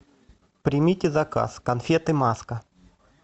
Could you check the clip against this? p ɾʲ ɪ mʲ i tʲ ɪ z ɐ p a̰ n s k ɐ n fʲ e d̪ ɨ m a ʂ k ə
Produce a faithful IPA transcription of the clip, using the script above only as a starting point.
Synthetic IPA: p ɾʲ ɪ mʲ i tʲ ɪ z ɐ k a̰ s k ɐ n fʲ e t̪ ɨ m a s k ə